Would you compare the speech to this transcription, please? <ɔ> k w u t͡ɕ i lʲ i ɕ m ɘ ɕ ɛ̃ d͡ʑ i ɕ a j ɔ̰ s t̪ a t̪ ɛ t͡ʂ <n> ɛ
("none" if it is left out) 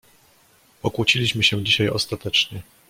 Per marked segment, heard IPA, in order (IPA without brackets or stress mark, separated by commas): ɔ, ɲ